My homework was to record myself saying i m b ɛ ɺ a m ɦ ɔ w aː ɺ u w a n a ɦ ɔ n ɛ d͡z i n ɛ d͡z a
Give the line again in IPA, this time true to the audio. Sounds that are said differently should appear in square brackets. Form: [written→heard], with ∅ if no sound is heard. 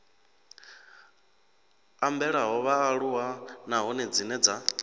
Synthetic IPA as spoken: [i→a] m b ɛ ɺ a [m→∅] ɦ ɔ [w→β] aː ɺ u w a n a ɦ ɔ n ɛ d͡z i n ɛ d͡z a